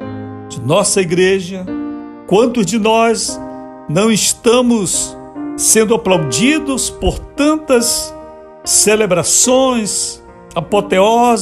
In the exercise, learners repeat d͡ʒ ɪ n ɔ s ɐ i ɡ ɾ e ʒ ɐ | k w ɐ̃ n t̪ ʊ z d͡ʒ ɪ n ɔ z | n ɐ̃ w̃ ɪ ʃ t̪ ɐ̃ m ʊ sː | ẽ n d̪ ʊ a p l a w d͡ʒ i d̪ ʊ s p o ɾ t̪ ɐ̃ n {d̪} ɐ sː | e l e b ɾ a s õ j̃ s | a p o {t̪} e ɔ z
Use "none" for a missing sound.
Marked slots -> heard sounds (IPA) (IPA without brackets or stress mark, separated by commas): t̪, t̪